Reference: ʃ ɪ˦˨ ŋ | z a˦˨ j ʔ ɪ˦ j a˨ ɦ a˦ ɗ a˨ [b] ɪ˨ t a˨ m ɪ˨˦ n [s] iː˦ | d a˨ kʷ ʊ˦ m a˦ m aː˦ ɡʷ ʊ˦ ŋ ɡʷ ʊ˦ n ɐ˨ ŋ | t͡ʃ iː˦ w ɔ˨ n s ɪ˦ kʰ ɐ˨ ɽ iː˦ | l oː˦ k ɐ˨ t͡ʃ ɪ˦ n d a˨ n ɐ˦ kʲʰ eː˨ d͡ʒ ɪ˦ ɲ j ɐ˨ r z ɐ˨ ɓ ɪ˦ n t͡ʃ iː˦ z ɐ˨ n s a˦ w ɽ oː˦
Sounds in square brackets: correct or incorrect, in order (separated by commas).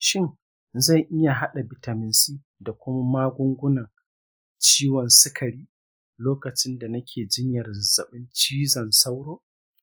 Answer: correct, correct